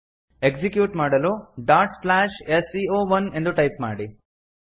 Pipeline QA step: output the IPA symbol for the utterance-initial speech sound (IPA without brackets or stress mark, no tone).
e